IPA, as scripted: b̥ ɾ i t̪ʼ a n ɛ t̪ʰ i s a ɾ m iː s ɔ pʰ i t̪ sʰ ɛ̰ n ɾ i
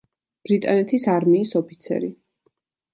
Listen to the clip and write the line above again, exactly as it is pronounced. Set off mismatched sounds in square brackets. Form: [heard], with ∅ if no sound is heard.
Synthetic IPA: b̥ ɾ i t̪ʼ a n ɛ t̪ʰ i s a ɾ m iː s ɔ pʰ i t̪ sʰ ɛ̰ [∅] ɾ i